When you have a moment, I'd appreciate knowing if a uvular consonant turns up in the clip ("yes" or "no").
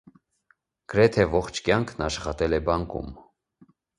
yes